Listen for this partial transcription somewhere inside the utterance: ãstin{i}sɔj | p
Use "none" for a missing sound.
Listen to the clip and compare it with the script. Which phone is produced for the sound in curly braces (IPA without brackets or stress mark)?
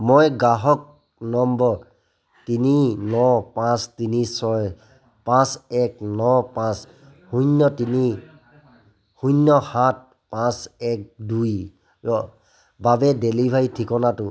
i